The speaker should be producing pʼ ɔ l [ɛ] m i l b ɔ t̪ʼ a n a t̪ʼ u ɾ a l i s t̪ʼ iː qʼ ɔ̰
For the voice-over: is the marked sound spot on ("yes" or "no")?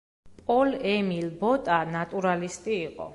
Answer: yes